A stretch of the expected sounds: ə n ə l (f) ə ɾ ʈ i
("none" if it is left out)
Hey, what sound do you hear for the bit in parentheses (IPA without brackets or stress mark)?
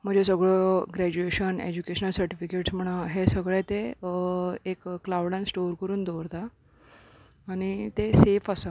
s